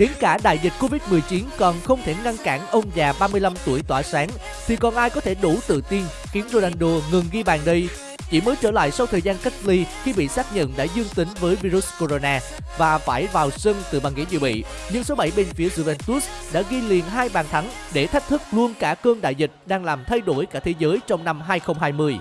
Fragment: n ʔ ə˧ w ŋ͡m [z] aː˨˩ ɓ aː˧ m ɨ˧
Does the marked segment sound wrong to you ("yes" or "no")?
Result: no